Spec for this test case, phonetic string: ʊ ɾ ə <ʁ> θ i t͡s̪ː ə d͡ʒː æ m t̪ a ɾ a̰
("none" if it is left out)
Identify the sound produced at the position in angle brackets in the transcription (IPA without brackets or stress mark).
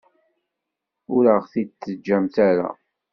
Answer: ʁ